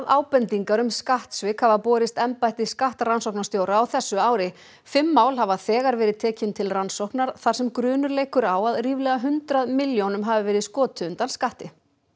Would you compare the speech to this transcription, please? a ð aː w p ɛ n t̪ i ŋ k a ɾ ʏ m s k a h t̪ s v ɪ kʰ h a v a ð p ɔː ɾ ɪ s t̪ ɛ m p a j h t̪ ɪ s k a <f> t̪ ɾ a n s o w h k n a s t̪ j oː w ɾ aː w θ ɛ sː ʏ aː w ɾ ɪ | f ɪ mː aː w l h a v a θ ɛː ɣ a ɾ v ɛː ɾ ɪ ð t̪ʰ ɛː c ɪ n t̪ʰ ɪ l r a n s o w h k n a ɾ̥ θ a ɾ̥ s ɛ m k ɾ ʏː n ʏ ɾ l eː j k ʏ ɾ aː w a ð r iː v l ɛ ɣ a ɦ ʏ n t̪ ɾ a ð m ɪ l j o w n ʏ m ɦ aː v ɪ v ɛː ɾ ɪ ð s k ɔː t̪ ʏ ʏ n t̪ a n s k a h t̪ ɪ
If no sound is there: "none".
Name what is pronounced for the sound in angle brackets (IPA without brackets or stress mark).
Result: h